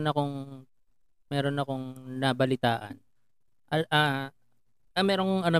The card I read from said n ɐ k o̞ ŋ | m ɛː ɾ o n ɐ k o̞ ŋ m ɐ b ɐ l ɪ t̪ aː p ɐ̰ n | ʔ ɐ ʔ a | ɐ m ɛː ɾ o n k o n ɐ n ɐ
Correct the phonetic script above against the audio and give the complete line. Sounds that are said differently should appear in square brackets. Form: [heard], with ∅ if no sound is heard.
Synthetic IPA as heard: n ɐ k o̞ ŋ | m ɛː ɾ o n ɐ k o̞ ŋ [n] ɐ b ɐ l ɪ t̪ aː [ʔ] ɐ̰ n | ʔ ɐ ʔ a | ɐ m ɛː ɾ o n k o [ŋ] ɐ n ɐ